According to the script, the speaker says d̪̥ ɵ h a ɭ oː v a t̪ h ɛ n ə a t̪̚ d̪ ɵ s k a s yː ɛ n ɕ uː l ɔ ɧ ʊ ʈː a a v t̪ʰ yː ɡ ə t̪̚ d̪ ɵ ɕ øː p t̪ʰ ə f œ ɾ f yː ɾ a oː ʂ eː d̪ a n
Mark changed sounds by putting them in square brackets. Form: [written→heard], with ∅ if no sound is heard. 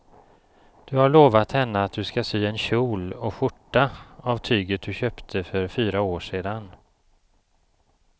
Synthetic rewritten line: d̪̥ ɵ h a ɭ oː v a t̪ h ɛ [n→nː] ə a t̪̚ d̪ ɵ s k a s yː ɛ n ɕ uː l ɔ ɧ ʊ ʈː a a v t̪ʰ yː ɡ ə t̪̚ d̪ ɵ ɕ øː p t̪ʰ ə f œ ɾ f yː ɾ a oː ʂ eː d̪ a n